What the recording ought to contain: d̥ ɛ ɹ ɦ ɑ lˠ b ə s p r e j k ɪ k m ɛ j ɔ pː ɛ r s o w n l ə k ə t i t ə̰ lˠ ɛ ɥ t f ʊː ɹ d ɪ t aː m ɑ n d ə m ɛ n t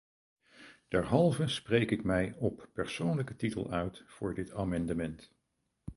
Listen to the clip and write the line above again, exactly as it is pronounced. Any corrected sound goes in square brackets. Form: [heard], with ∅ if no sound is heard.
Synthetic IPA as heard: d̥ ɛ ɹ ɦ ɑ lˠ [v] ə s p r e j k ɪ k m ɛ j ɔ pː ɛ [ɹ] s o w n l ə k ə t i t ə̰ lˠ [œ] ɥ t f ʊː ɹ d ɪ t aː m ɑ n d ə m ɛ n t